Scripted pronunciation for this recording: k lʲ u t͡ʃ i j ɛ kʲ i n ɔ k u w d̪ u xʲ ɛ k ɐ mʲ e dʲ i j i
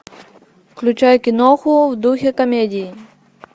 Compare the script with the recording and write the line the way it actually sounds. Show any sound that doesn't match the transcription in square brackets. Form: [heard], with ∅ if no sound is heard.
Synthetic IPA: k lʲ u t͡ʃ [a] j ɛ kʲ i n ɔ [x] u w d̪ u xʲ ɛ k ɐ mʲ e dʲ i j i